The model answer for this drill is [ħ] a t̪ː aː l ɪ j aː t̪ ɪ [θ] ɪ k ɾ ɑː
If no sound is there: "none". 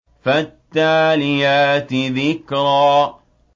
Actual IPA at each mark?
f, ð

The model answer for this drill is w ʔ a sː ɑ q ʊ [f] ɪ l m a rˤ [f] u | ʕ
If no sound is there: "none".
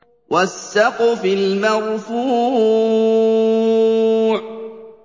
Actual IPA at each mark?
f, f

